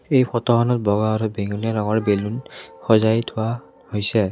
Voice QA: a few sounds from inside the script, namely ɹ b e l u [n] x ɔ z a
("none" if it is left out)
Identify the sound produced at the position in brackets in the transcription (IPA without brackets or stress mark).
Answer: n